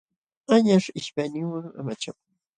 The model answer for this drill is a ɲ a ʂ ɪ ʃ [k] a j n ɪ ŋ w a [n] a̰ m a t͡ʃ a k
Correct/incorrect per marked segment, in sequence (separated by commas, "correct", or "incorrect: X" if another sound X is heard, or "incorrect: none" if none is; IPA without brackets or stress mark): incorrect: p, incorrect: ŋ